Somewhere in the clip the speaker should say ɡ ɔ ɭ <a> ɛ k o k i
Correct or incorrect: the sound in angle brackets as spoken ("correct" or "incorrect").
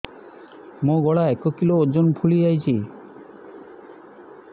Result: correct